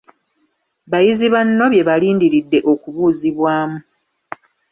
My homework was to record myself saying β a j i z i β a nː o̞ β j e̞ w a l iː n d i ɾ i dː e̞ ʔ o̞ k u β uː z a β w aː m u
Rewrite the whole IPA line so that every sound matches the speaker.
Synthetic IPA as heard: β a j i z i β a nː o̞ β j e̞ β a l iː n d i ɾ i dː e̞ ʔ o̞ k u β uː z i β w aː m u